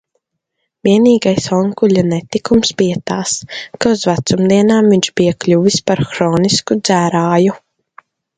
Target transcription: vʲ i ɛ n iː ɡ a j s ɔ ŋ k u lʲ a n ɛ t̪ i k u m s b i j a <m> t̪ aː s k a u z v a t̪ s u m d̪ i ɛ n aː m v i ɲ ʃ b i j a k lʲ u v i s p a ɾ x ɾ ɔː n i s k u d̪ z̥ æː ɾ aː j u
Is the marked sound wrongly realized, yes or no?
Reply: yes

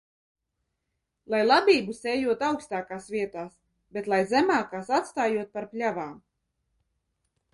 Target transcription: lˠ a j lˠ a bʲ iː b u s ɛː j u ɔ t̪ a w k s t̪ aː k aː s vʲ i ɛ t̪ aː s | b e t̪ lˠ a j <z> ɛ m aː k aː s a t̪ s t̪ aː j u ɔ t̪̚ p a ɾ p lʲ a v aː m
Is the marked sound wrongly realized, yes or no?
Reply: no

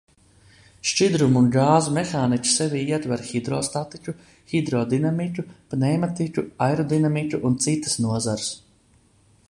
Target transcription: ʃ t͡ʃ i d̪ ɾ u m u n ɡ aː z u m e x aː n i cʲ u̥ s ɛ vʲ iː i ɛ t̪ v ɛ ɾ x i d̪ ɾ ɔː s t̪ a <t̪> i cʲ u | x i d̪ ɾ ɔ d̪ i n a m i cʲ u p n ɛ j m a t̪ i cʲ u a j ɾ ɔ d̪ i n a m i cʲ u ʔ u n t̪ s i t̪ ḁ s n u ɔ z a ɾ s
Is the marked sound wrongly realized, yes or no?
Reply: no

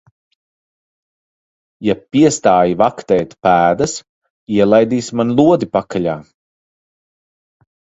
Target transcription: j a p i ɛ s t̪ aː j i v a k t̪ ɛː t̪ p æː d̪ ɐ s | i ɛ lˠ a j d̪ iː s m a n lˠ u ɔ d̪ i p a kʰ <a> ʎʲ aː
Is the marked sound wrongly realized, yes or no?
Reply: no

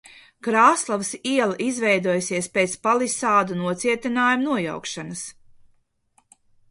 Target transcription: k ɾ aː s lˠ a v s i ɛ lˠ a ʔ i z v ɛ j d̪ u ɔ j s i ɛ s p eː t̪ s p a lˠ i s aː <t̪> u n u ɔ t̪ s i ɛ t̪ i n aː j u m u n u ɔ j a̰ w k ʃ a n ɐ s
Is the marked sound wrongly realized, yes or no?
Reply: yes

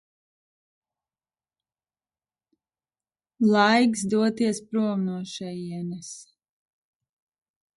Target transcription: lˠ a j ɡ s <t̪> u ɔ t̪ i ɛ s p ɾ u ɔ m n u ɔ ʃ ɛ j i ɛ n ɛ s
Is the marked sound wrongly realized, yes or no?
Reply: yes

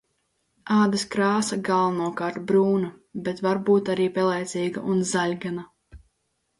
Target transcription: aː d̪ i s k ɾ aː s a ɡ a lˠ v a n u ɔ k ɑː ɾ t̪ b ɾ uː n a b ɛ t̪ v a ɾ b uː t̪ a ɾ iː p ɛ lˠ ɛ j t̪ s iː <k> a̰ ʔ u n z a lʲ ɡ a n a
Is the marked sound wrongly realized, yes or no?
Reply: yes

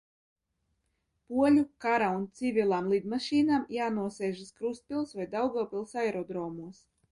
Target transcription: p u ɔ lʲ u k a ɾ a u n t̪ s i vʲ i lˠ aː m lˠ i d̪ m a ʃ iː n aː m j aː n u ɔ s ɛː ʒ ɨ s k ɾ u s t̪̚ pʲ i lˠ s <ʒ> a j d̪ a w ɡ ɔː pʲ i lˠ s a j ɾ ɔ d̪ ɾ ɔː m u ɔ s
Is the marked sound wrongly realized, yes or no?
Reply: yes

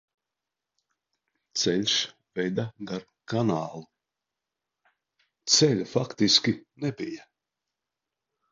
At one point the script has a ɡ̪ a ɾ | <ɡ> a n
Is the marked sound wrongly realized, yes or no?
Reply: yes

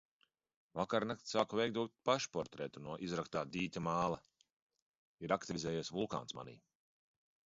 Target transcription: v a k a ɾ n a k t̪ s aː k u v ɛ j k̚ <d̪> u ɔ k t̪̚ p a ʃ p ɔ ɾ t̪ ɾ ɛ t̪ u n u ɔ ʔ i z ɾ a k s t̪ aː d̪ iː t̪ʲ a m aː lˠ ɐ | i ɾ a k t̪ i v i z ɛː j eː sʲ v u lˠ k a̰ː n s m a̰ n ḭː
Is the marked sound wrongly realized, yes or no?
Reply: no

